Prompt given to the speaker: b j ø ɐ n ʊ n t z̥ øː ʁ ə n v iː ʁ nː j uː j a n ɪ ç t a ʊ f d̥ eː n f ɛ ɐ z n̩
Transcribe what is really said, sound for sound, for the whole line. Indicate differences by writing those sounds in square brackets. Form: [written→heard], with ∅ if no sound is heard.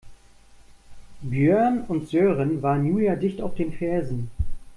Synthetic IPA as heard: b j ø ɐ n ʊ n t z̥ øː ʁ ə n v [iː→aː] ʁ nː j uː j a [n→d] ɪ ç t a ʊ f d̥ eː n f ɛ ɐ z n̩